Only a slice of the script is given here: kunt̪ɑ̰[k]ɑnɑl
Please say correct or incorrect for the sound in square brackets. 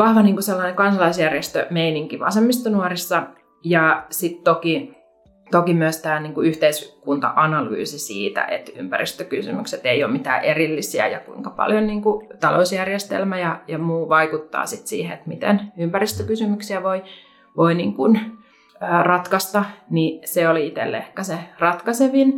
incorrect